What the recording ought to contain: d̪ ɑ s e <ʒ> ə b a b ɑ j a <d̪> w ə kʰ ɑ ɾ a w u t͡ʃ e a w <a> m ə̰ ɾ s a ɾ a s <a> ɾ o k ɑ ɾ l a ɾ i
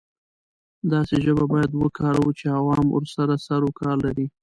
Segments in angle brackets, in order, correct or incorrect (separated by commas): correct, correct, incorrect, correct